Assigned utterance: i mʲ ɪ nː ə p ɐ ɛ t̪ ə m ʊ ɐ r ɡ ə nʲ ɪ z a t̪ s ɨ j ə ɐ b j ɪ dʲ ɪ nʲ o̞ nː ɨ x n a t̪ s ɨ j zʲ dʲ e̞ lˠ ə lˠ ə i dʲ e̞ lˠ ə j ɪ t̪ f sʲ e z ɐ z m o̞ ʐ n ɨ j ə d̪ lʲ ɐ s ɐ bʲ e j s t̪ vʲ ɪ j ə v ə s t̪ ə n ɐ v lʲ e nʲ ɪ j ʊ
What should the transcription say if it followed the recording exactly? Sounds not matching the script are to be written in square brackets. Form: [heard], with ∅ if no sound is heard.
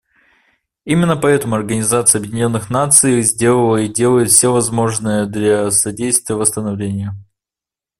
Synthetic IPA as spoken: i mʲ ɪ nː ə p ɐ ɛ t̪ ə m ʊ ɐ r ɡ ə nʲ ɪ z a t̪ s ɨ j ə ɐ b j ɪ dʲ ɪ nʲ o̞ nː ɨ x n a t̪ s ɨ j zʲ dʲ e̞ lˠ ə lˠ ə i dʲ e̞ lˠ ə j ɪ t̪ f sʲ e [v] ɐ z m o̞ ʐ n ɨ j ə d̪ lʲ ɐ s ɐ [dʲ] e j s t̪ vʲ ɪ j ə v ə s t̪ ə n ɐ v lʲ e nʲ ɪ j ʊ